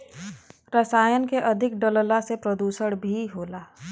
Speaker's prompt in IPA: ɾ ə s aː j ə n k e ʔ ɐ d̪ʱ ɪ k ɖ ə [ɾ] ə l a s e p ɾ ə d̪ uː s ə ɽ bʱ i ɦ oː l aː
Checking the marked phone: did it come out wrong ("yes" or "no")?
yes